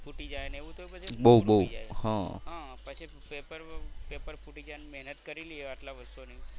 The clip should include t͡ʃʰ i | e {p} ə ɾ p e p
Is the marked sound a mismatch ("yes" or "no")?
no